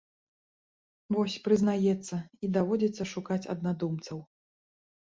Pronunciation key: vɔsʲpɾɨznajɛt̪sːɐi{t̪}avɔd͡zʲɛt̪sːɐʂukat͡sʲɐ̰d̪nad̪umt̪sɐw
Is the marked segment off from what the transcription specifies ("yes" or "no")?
yes